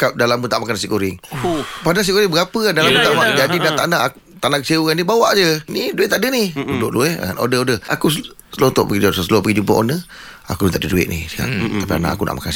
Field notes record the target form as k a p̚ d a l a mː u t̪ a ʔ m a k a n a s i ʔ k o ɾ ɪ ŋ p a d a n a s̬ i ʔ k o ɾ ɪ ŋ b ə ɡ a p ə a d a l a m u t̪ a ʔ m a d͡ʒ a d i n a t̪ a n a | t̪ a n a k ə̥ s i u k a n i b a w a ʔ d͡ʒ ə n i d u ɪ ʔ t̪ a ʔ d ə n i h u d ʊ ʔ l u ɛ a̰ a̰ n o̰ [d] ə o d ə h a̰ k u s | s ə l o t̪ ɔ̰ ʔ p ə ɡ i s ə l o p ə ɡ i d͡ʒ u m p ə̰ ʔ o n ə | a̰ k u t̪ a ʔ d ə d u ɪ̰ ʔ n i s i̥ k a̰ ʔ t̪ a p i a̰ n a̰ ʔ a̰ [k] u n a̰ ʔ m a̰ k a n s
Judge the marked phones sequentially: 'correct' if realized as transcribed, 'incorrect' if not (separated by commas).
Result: correct, correct